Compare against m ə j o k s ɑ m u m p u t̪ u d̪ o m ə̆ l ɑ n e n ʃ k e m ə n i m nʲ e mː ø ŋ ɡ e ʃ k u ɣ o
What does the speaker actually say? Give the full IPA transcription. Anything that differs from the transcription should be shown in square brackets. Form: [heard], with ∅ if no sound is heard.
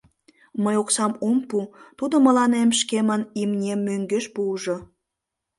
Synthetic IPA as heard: m ə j o k s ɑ m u m p u t̪ u d̪ o m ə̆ l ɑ n e [m] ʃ k e m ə n i m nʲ e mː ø ŋ ɡ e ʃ [p] u [ʒ] o